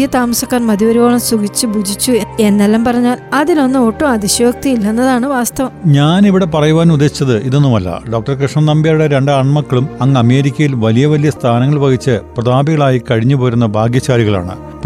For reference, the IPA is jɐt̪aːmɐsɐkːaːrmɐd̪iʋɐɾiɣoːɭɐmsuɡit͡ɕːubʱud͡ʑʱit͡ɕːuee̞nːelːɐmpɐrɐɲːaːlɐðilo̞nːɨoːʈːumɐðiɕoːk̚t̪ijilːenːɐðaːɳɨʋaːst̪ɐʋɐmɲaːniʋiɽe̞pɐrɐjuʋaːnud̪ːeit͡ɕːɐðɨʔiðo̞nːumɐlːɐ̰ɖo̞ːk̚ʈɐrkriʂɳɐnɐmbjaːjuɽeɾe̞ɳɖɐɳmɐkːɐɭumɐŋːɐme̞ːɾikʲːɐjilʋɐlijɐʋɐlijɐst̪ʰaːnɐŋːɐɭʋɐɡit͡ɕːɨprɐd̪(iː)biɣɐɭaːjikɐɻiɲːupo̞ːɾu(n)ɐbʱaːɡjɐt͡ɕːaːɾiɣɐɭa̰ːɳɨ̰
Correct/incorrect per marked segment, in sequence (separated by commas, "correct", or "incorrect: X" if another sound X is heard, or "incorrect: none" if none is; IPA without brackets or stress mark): incorrect: aː, incorrect: nː